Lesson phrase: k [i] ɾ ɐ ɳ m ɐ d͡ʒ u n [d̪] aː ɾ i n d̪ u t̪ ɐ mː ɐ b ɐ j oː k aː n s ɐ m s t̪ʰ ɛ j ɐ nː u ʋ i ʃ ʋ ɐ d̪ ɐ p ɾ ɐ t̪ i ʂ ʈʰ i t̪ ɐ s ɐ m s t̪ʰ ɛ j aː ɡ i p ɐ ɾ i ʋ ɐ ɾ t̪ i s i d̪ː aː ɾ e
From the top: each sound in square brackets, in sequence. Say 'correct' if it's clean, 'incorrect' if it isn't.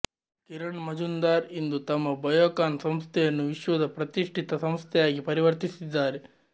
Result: correct, correct

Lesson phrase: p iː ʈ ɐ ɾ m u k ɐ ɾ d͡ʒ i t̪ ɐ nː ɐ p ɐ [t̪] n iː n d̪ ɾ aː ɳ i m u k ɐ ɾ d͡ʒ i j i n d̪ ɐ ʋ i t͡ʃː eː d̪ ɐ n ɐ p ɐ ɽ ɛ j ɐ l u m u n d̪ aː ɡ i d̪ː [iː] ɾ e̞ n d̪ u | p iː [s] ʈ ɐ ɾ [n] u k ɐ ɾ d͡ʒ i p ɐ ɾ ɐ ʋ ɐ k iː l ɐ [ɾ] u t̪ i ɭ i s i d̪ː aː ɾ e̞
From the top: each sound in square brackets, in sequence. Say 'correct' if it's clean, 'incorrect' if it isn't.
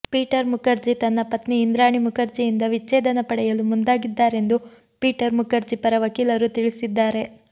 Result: correct, incorrect, incorrect, incorrect, correct

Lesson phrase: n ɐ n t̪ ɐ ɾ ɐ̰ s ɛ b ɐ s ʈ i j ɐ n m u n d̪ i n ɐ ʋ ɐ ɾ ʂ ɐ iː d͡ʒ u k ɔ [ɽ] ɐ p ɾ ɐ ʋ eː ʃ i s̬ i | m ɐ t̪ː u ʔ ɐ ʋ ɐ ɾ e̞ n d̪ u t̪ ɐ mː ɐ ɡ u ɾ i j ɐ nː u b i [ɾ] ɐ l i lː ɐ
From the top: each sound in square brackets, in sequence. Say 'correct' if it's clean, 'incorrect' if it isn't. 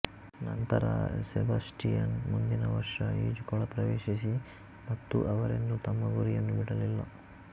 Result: incorrect, incorrect

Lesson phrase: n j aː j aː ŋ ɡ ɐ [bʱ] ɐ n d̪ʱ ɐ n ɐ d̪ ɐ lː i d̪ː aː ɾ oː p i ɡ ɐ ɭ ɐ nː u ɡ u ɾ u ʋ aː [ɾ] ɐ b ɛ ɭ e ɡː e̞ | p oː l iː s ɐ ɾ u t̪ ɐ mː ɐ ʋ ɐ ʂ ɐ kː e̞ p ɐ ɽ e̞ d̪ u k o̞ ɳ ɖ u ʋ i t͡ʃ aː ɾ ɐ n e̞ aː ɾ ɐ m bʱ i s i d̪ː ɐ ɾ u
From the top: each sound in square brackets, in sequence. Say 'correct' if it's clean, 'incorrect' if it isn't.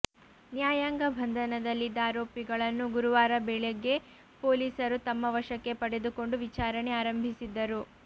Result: correct, correct

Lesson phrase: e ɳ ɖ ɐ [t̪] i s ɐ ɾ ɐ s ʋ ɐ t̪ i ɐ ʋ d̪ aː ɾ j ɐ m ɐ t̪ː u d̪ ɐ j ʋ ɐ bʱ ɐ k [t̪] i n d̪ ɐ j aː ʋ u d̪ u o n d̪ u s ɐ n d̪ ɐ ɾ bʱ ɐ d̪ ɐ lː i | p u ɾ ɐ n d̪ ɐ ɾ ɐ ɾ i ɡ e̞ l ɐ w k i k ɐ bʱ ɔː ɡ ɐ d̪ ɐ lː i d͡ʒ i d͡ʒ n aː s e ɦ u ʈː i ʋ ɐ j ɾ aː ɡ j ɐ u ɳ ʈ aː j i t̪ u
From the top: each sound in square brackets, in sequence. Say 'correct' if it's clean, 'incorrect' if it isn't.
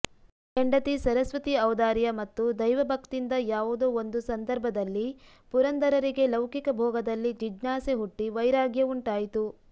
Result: correct, correct

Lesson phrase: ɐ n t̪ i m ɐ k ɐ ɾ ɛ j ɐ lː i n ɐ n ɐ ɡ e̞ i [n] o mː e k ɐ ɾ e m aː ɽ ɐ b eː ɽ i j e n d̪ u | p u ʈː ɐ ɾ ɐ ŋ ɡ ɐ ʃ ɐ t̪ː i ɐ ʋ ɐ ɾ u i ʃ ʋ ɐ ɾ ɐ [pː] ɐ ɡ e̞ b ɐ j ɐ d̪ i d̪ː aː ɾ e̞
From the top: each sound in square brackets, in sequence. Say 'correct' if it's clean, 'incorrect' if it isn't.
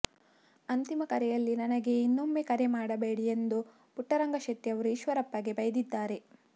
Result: incorrect, correct

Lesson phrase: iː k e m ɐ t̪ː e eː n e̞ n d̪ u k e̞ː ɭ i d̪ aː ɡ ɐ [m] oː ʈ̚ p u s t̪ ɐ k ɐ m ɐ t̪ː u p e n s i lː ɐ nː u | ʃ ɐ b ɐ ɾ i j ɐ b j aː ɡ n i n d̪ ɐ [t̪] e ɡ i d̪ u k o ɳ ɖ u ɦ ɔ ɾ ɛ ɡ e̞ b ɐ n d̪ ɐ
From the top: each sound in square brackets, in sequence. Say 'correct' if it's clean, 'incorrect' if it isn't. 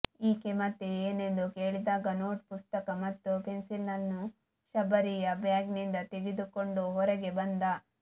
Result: incorrect, correct

